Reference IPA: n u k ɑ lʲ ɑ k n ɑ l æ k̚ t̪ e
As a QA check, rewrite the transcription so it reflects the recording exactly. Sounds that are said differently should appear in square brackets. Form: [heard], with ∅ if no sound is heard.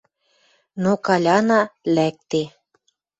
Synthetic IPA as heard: n [o] k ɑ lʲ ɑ [∅] n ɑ l æ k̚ t̪ e